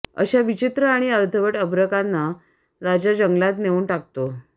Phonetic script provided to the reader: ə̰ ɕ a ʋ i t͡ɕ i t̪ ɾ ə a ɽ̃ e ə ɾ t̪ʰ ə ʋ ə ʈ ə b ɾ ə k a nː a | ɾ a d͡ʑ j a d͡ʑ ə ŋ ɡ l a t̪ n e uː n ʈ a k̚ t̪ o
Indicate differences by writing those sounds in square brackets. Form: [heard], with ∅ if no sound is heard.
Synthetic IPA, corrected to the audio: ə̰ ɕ a ʋ i t͡ɕ i t̪ ɾ ə a ɽ̃ [i] ə ɾ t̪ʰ ə ʋ ə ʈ ə b ɾ ə k a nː a | ɾ a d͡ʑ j a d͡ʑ ə ŋ ɡ l a t̪ n e uː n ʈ a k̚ t̪ o